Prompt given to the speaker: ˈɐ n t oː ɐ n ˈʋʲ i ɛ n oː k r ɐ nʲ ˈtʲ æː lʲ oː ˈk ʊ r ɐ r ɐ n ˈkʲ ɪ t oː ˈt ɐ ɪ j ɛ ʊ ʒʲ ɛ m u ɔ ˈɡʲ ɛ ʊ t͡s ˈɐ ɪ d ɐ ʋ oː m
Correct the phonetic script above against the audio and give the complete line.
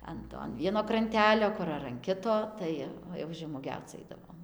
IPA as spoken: ˈɐ n t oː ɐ n ˈʋʲ i ɛ n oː k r ɐ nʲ ˈtʲ æː lʲ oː ˈk ʊ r ɐ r ɐ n ˈkʲ ɪ t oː ˈt ɐ ɪ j ɛ ʊ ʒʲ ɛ m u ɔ ˈɡʲ ɛ ʊ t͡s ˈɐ ɪ d ɐ ʋ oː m